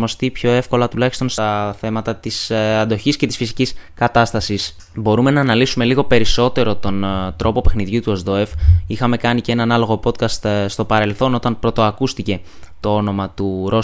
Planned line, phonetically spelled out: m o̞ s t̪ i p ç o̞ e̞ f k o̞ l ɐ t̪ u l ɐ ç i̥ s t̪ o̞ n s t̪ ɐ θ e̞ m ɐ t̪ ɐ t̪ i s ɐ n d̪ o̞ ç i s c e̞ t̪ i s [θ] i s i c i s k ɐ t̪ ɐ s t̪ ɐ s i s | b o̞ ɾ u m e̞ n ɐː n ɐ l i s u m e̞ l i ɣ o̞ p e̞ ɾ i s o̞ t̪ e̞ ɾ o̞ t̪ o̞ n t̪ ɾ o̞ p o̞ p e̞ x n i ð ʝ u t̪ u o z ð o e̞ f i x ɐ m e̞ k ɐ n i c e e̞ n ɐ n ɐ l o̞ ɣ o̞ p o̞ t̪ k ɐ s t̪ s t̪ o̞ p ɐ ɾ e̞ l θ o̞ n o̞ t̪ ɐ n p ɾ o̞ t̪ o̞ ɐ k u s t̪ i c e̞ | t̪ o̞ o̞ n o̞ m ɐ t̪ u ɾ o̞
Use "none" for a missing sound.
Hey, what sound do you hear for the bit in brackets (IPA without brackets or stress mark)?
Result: f